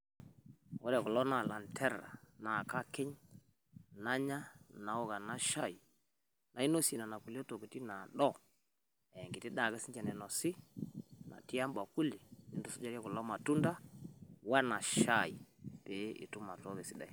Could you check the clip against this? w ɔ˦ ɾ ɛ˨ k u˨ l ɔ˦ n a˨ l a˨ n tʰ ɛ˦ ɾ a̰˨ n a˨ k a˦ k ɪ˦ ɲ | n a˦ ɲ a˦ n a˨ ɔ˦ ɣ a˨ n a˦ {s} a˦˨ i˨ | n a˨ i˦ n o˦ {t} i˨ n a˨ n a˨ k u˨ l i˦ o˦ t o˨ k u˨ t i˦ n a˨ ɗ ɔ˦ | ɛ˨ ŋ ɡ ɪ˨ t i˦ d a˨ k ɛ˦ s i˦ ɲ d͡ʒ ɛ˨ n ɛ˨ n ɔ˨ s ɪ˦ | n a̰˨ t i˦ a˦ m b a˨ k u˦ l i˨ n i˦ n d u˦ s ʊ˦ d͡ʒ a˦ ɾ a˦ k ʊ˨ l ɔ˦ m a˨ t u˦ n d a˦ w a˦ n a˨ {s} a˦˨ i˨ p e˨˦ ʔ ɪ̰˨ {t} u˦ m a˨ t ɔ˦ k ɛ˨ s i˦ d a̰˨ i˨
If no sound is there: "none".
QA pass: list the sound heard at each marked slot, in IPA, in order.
ʃ, s, ʃ, t

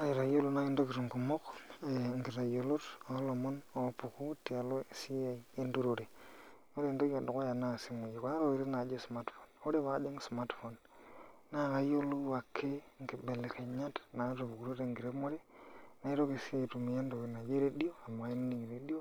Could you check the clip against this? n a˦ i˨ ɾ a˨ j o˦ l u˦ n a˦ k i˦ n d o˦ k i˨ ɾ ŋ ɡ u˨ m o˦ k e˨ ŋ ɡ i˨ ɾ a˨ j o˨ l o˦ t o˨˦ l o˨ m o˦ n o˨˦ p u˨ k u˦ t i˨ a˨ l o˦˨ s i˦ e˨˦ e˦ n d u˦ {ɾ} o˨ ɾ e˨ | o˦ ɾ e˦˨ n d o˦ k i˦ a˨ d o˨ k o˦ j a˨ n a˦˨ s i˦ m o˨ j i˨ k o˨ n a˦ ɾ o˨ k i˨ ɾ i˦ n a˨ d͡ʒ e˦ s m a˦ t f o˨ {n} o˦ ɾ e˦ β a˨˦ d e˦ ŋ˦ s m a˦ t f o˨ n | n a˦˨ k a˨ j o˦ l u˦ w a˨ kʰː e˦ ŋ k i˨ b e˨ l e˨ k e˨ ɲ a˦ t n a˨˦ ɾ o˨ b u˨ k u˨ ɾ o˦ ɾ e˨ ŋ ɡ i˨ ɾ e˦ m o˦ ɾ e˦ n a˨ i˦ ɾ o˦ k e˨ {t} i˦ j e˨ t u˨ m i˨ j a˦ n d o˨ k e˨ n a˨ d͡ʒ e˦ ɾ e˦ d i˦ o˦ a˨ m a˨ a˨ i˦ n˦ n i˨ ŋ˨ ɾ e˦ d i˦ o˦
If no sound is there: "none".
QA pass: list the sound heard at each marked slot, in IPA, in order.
ɾ, n, s

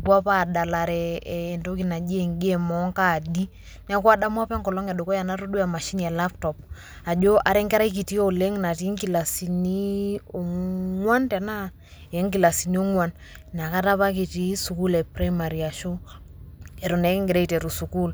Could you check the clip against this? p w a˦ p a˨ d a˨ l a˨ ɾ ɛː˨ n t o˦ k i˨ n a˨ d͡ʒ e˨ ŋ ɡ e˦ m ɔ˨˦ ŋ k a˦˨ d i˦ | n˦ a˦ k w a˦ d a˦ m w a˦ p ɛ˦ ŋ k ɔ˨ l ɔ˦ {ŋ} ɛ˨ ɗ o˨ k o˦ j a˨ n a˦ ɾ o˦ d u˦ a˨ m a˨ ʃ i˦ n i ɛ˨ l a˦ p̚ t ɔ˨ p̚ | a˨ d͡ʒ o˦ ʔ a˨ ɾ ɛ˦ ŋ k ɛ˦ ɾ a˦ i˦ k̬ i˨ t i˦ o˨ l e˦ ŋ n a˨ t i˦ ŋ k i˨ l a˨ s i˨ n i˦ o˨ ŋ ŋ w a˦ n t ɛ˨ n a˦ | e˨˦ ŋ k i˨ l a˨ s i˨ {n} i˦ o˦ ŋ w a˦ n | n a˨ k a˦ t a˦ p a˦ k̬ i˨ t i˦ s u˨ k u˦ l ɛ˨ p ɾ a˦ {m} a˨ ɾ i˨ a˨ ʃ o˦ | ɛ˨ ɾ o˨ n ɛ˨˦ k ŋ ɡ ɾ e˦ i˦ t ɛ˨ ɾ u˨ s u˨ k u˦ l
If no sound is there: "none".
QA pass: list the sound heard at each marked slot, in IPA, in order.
ŋ, n, m

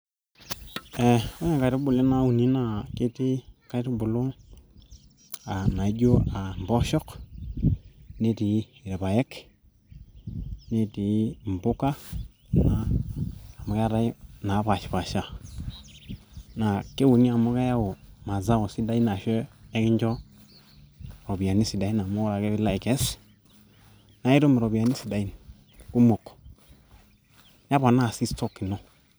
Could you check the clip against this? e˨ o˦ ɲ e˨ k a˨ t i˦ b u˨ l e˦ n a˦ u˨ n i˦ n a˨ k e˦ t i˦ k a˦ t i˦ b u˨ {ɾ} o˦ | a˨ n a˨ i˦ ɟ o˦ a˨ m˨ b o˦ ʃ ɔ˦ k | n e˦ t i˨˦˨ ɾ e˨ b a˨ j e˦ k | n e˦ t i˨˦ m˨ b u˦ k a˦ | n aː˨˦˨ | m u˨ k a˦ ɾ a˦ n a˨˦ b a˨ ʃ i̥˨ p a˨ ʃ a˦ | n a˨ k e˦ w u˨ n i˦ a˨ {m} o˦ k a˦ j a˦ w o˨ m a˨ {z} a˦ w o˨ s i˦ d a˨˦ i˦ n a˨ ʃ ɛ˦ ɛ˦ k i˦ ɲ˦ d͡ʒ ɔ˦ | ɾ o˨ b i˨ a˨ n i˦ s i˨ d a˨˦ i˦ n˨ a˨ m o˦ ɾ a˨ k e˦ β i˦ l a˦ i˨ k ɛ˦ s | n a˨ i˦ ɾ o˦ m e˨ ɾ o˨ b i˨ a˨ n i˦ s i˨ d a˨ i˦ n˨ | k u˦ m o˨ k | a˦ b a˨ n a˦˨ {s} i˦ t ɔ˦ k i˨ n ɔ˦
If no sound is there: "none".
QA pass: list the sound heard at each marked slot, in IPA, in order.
l, m, z, s

